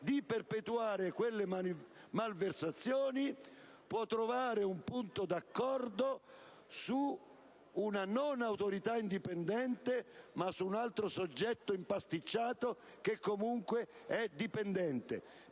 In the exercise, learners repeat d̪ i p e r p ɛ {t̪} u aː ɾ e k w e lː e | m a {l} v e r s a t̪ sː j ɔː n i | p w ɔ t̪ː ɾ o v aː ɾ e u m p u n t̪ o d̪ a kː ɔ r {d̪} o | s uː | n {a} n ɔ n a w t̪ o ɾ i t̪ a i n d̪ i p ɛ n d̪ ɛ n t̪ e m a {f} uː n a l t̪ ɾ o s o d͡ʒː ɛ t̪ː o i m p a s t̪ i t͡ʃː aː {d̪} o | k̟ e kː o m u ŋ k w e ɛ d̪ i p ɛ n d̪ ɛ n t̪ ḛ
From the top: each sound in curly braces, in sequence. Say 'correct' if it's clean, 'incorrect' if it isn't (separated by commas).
correct, correct, correct, correct, incorrect, incorrect